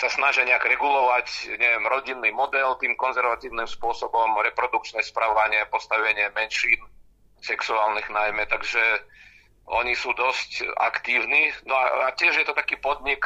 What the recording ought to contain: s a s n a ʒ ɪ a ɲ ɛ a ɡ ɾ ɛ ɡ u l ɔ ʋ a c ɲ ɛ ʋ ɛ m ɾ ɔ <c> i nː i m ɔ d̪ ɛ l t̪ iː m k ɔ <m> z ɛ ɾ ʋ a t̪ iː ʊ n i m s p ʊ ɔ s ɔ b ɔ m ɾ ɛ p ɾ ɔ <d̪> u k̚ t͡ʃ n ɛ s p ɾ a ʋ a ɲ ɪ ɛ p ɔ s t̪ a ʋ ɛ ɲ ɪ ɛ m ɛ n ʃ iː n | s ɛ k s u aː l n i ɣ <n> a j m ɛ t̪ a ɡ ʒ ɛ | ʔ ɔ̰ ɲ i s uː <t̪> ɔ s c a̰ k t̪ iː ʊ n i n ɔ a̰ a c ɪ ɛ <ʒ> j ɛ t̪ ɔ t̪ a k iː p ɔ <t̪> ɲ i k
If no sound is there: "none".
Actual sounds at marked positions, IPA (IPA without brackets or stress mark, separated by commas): ɟ, n, d̪, n, d̪, ʒ, d̪